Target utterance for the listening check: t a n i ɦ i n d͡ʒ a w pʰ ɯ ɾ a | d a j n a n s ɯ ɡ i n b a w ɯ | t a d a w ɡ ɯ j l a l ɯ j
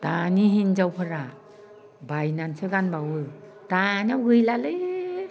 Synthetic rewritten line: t a n i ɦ i n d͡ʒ a w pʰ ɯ ɾ a | b a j n a n s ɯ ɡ a n b a w ɯ | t a n a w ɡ ɯ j l a l ɯ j